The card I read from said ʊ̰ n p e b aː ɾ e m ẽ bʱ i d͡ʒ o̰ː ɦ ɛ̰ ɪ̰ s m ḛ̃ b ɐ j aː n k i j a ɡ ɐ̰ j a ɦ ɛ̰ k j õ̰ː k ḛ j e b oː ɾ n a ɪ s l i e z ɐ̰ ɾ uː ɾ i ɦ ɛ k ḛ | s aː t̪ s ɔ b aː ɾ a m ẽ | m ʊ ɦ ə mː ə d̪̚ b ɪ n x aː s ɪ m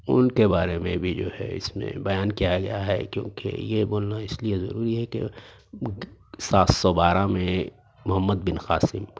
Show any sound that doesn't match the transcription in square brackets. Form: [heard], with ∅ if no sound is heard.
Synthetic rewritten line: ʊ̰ n [k] e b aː ɾ e m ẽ bʱ i d͡ʒ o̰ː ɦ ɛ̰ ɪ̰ s m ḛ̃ b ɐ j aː n k i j a ɡ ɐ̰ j a ɦ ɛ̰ k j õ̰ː k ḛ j e b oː [l] n a ɪ s l i e z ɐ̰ ɾ uː ɾ i ɦ ɛ k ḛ | s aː t̪ s ɔ b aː ɾ a m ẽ | m ʊ ɦ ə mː ə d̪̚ b ɪ n x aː s ɪ m